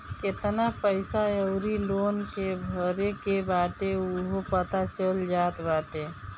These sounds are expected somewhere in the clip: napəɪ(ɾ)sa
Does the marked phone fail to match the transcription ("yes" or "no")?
yes